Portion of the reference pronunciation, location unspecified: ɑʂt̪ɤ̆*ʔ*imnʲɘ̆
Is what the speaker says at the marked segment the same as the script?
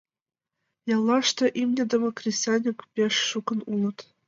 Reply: yes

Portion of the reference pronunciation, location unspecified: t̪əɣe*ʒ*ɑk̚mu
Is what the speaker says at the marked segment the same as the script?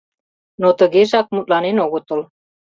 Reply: yes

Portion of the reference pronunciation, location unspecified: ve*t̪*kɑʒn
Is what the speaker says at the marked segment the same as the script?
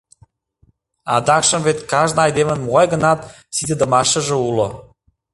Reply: yes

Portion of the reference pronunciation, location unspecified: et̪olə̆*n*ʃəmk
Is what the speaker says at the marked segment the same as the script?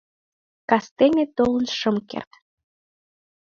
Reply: yes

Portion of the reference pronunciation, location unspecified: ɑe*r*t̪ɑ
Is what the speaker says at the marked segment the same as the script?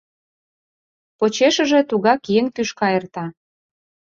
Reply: yes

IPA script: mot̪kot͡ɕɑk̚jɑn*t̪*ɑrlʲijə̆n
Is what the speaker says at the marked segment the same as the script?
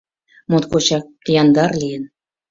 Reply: no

